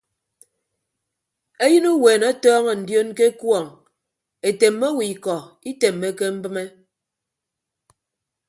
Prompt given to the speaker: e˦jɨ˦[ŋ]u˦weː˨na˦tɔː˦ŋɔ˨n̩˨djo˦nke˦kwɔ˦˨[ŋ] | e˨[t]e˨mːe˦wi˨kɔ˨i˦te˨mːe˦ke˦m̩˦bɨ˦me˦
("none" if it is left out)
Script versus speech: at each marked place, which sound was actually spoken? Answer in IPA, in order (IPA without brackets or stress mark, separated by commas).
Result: n, ŋ, t